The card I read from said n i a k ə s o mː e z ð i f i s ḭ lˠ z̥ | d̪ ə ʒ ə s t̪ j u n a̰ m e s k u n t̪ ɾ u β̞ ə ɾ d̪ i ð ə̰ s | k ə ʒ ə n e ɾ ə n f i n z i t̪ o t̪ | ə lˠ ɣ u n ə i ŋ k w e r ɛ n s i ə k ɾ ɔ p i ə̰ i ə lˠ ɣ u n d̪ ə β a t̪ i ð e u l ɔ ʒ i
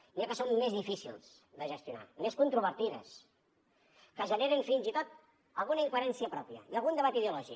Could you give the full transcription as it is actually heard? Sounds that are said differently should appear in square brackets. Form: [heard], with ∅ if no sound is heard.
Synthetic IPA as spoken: n i a k ə s o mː e z ð i f i s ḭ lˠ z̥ | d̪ ə ʒ ə s t̪ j u n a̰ m e s k u n t̪ ɾ u β̞ ə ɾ [t̪] i ð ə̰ s | k ə ʒ ə n e ɾ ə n f i n z i t̪ o t̪ | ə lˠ ɣ u n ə i ŋ k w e [ɾ] ɛ n s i ə [p] ɾ ɔ p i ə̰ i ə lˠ ɣ u n d̪ ə β a t̪ i ð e u l ɔ ʒ i